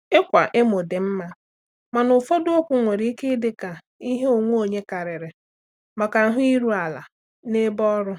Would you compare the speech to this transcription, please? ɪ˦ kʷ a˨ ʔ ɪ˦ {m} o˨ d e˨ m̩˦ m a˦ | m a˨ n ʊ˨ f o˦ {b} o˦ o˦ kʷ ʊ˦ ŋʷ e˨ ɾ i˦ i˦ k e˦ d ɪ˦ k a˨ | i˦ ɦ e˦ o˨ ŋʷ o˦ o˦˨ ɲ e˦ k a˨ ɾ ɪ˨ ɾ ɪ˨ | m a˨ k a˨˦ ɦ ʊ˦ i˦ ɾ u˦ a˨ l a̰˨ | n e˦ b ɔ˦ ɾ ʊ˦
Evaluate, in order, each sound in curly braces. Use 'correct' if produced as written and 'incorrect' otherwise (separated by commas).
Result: correct, incorrect